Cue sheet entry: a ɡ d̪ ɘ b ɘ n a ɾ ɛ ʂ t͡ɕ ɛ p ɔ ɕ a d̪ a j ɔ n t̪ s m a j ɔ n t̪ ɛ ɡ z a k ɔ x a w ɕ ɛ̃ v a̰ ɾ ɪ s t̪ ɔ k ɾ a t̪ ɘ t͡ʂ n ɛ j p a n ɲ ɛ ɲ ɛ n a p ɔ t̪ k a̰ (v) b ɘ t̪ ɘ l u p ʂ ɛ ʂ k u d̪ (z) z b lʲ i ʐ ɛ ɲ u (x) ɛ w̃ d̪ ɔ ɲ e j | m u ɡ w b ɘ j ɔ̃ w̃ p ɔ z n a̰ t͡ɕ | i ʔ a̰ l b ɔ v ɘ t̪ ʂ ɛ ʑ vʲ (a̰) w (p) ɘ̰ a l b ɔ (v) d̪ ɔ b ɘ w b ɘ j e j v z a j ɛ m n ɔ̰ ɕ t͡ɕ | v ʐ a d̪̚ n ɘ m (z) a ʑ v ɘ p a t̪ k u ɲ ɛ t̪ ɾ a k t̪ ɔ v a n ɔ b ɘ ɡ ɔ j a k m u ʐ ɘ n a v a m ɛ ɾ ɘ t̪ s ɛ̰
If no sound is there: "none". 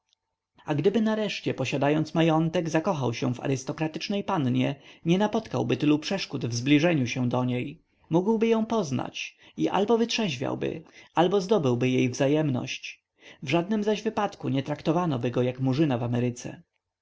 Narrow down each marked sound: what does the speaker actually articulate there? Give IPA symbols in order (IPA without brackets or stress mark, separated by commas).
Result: w, v, ɕ, a̰, b, z, z